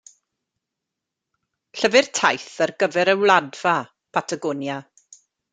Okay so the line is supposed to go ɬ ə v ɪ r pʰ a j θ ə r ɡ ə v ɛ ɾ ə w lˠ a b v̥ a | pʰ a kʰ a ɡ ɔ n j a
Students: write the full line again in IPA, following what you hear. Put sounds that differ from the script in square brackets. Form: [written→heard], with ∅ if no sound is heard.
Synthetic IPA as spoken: ɬ ə v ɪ r [pʰ→tʰ] a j θ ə r ɡ ə v ɛ ɾ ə w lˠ a [b→d] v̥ a | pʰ a [kʰ→tʰ] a ɡ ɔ n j a

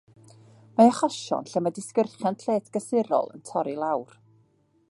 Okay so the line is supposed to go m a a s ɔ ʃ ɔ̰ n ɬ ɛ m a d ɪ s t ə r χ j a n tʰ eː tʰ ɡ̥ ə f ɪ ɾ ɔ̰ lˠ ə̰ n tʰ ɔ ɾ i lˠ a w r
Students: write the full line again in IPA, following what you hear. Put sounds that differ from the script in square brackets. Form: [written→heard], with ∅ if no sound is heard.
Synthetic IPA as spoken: m a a [s→χ] ɔ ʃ ɔ̰ n ɬ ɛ m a d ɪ s [t→k] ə r χ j a n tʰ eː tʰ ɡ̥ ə [f→s] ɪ ɾ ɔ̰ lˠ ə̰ n tʰ ɔ ɾ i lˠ a w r

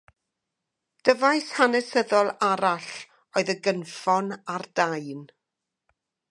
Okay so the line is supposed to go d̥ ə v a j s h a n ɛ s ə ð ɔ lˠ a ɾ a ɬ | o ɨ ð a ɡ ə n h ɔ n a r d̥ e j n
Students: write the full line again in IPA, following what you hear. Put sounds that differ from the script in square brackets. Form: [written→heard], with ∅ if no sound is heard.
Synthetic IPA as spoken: d̥ ə v a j s h a n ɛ s ə ð ɔ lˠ a ɾ a ɬ | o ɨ ð [a→ə] ɡ ə n [h→f] ɔ n a r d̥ [e→a] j n

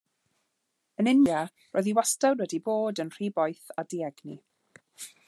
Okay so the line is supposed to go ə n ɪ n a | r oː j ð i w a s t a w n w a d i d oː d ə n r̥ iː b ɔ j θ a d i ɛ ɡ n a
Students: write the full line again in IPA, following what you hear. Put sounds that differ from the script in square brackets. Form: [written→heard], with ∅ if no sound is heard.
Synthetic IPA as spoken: ə n ɪ n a | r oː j ð i w a s t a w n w [a→ɛ] d i [d→b] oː d ə n r̥ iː b ɔ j θ a d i ɛ ɡ n [a→i]

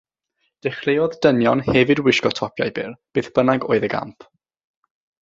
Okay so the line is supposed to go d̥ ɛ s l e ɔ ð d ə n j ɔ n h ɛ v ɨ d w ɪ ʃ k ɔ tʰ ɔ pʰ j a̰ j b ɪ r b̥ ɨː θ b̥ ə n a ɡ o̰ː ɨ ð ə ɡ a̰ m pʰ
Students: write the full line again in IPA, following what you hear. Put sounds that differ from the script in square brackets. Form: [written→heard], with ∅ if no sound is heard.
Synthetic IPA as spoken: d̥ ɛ [s→χ] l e ɔ ð d ə n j ɔ n h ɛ v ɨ d w ɪ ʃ k ɔ tʰ ɔ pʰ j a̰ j b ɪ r b̥ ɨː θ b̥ ə n a ɡ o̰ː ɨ ð ə ɡ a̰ m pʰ

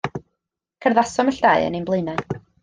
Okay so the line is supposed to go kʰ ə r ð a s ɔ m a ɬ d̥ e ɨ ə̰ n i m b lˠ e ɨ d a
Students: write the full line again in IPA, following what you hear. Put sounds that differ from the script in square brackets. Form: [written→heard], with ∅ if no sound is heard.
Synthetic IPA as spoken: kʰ ə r ð a s ɔ m [a→ə] ɬ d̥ [e→a] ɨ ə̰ n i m b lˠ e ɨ [d→n] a

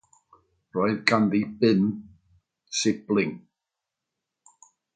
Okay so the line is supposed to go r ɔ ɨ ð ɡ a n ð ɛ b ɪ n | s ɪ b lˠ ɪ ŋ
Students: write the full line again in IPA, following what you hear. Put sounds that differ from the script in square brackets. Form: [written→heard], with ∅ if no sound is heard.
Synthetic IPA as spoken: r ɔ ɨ ð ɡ a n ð [ɛ→i] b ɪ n | s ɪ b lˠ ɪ ŋ

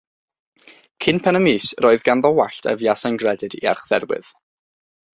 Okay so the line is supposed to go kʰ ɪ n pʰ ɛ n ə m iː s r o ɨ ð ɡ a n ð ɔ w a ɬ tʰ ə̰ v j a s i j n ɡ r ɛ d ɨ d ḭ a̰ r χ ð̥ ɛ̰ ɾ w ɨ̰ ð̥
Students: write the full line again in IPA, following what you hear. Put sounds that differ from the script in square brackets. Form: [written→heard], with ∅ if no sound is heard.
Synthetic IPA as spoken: kʰ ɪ n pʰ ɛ n ə m iː s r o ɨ ð ɡ a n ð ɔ w a ɬ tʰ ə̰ v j a s [i→a] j n ɡ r ɛ d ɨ d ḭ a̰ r χ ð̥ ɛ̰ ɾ w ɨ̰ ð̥

